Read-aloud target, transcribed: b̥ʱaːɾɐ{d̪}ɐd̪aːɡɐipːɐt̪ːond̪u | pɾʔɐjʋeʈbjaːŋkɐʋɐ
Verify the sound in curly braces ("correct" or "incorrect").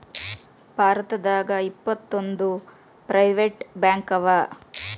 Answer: incorrect